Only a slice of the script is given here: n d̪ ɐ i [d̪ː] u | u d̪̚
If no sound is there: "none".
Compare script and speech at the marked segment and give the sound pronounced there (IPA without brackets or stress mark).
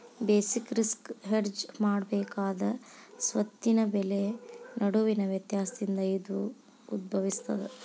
d̪